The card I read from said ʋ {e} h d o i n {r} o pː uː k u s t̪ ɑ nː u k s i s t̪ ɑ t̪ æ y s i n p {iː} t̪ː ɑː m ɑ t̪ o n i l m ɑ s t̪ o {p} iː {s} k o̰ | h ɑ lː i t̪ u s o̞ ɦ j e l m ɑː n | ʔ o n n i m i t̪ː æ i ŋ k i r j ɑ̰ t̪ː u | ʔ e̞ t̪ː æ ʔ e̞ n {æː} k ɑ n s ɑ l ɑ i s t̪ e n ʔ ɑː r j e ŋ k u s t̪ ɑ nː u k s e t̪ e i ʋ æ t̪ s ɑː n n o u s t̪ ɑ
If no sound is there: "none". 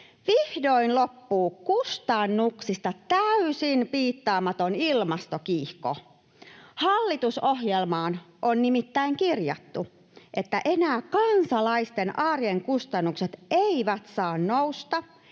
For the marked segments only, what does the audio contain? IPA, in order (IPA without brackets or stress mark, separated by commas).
i, l, iː, k, h, æː